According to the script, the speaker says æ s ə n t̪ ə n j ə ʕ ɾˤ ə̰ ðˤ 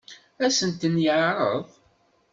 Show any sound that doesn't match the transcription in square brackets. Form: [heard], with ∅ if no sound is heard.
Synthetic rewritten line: æ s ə n t̪ ə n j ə ʕ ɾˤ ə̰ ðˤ